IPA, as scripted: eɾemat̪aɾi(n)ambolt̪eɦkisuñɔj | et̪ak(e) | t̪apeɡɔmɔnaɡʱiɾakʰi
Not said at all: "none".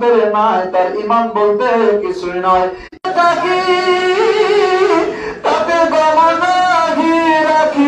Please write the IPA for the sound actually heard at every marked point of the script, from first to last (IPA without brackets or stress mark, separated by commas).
m, i